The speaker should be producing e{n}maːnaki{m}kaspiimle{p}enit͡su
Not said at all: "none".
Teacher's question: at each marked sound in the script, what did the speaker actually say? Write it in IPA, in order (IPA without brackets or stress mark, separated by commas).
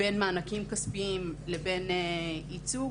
n, m, b